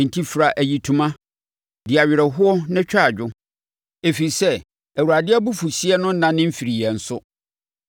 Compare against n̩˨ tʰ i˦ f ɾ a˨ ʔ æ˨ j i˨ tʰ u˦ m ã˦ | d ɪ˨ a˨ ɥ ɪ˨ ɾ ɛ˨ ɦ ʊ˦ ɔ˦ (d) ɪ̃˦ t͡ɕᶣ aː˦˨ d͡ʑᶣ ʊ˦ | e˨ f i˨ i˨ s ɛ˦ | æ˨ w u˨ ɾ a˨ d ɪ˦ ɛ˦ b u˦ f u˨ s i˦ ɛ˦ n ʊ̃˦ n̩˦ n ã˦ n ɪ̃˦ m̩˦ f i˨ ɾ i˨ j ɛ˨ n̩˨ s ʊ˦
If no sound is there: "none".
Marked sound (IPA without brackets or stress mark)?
n